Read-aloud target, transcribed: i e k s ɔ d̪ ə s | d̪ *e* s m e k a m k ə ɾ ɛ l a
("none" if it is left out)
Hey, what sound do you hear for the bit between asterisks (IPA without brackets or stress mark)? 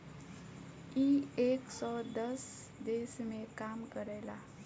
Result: e